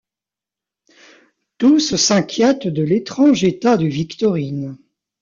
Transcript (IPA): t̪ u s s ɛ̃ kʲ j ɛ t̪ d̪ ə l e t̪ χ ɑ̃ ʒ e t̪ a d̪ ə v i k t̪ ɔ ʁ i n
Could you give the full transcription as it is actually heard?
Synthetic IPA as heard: t̪ u s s ɛ̃ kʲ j ɛ t̪ d̪ ə l e t̪ χ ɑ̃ ʒ e t̪ a d̪ ə v i k t̪ ɔ ʁ i n